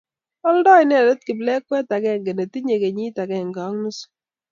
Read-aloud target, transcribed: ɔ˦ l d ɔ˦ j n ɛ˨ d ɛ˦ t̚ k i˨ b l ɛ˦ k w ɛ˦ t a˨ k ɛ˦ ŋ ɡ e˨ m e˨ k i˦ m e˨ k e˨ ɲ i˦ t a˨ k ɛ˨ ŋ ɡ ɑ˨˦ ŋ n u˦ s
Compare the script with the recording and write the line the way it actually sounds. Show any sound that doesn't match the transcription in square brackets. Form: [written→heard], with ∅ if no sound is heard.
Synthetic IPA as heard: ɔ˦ l d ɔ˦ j n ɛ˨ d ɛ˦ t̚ k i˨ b l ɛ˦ k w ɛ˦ t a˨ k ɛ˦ ŋ ɡ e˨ [m→n] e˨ [k→t] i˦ [m→ɲ] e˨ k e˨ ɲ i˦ t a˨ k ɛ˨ ŋ ɡ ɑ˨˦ ŋ n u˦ s